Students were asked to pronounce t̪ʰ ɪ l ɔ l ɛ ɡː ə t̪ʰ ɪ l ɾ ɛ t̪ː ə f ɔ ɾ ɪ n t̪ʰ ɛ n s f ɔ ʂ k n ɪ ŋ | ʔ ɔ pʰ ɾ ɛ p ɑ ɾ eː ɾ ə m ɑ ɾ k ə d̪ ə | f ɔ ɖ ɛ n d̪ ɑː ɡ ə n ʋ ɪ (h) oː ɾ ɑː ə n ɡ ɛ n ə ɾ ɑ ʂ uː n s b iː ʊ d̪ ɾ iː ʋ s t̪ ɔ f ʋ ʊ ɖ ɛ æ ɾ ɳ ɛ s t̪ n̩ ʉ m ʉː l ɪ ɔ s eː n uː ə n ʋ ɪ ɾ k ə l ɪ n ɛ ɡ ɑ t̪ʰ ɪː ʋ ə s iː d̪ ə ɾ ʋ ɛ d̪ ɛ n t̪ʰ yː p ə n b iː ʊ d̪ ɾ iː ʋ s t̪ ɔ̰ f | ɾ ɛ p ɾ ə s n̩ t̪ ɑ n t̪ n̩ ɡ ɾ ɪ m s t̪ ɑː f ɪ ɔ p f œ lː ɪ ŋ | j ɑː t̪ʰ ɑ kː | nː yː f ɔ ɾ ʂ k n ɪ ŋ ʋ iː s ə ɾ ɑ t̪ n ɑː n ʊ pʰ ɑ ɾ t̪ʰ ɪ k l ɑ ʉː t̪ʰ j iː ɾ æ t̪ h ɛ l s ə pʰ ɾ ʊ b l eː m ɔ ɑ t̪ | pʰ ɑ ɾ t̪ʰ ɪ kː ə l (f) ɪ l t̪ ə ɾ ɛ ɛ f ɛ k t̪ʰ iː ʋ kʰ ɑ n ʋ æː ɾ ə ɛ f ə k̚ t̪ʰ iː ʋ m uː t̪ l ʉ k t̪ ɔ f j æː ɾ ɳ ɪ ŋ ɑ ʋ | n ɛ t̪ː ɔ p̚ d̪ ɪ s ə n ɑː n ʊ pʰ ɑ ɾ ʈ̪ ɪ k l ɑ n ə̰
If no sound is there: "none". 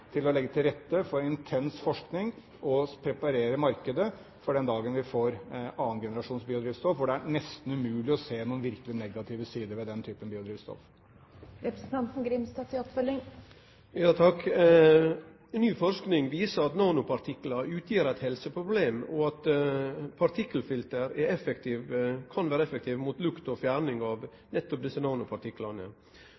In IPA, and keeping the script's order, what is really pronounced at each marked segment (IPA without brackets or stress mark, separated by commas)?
f, f